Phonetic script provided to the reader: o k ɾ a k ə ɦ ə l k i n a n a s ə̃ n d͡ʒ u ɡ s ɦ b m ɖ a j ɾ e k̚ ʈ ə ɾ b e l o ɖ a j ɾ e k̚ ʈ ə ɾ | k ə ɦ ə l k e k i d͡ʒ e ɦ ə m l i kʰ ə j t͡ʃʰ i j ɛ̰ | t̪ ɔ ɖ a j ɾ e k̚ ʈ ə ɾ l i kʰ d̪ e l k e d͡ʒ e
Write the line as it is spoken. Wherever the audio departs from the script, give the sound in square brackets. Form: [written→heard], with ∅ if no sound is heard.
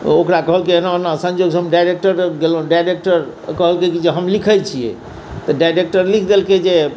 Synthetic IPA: o k ɾ a k ə ɦ ə l k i n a n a s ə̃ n d͡ʒ [u→o] ɡ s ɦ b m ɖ a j ɾ e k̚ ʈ ə ɾ [b→ɡ] e l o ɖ a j ɾ e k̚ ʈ ə ɾ | k ə ɦ ə l k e k i d͡ʒ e ɦ ə m l i kʰ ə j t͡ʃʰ i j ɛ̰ | t̪ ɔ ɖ a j ɾ e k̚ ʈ ə ɾ l i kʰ d̪ e l k e d͡ʒ e